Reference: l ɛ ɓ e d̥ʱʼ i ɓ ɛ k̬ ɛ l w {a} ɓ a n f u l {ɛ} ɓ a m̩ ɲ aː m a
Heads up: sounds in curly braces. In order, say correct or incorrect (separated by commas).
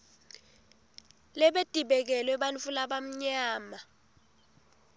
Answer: incorrect, incorrect